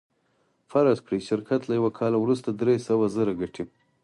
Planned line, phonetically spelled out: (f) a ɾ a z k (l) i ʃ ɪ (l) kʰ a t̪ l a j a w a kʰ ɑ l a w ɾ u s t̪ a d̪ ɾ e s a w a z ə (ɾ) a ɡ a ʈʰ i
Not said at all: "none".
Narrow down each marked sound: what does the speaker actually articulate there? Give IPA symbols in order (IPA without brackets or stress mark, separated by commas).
f, ɽ, ɾ, ɾ